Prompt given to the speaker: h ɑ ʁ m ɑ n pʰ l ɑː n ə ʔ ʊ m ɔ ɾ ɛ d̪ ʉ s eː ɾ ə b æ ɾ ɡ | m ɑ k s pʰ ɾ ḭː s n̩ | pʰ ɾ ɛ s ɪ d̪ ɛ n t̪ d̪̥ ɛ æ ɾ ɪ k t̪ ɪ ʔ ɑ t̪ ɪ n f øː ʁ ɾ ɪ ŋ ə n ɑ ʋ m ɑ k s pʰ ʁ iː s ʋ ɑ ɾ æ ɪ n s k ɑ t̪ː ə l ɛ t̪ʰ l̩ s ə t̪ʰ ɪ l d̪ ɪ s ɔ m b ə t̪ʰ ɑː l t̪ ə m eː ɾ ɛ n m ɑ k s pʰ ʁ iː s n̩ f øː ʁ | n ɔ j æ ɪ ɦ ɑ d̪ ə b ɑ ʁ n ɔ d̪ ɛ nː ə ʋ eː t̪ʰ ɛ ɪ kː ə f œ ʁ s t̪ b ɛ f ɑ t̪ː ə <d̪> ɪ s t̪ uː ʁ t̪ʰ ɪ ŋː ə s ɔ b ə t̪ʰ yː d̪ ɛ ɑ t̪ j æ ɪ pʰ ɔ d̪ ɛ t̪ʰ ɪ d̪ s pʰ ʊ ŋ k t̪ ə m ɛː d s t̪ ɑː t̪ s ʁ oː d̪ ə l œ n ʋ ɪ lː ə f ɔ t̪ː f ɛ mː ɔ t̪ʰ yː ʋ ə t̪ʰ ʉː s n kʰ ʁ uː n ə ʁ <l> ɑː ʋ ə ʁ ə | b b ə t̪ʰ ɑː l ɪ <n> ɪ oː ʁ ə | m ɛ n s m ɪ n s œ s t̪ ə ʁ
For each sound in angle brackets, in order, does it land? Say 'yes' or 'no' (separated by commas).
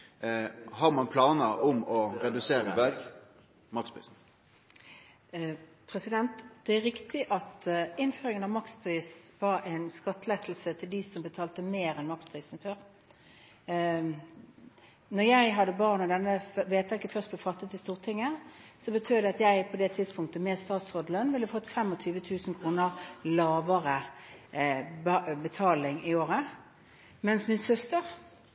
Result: no, yes, no